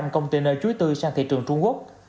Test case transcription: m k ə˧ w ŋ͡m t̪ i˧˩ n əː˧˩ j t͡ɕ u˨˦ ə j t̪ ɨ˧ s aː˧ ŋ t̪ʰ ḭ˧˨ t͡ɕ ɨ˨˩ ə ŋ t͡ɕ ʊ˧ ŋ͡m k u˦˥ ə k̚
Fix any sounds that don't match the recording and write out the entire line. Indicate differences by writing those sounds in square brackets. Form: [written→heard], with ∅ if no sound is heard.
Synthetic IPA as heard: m k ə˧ w ŋ͡m t̪ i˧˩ n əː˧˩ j t͡ɕ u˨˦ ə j t̪ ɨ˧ s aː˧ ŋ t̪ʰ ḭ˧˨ t͡ɕ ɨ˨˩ ə ŋ t͡ɕ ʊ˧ ŋ͡m k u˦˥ ə k̚